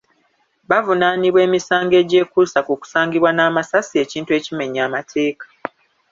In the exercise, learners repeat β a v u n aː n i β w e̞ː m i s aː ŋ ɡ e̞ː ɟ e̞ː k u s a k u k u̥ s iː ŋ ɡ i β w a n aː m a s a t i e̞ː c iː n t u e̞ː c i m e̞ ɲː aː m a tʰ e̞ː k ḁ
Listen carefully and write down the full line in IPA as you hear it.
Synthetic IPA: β a v u n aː n i β w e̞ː m i s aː ŋ ɡ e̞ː ɟ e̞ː k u s a k u k u̥ s aː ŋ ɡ i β w a n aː m a s a s i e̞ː c iː n t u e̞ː c i m e̞ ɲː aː m a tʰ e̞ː k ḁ